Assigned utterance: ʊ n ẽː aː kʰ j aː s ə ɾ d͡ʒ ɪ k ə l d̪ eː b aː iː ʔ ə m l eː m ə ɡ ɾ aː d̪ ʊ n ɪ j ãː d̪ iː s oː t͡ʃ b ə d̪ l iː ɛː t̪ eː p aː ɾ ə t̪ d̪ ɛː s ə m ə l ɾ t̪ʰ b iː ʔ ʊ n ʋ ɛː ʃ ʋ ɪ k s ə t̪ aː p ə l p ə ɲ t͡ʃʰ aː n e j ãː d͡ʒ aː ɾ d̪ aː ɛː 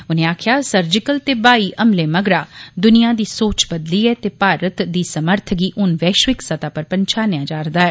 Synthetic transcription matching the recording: ʊ n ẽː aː kʰ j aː s ə ɾ d͡ʒ ɪ k ə l t̪ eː b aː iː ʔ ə m l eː m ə ɡ ɾ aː d̪ ʊ n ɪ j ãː d̪ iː s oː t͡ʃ b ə d̪ l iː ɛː t̪ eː p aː ɾ ə t̪ d̪ iː s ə m ə ɾ t̪ʰ ɡ iː ʔ ʊ n ʋ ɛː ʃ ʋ ɪ k s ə t̪ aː p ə ɾ p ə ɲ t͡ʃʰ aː n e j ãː d͡ʒ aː ɾ d̪ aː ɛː